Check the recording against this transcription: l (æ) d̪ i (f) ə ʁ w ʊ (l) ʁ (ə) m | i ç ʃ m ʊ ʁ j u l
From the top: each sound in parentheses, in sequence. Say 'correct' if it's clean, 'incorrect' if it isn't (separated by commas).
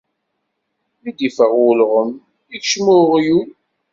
incorrect, correct, correct, correct